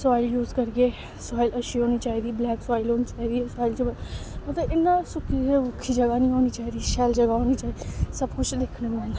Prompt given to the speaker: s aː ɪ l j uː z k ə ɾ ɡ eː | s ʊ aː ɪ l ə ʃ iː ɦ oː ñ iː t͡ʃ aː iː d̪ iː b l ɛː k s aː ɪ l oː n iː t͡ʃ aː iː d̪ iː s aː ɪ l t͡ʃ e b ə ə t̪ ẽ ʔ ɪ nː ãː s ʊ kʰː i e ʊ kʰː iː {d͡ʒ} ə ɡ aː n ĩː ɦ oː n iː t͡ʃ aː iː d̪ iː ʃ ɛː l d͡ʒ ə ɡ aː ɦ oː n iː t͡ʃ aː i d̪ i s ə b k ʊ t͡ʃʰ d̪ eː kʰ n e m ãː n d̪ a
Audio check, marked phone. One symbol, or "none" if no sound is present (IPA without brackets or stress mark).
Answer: d͡ʒ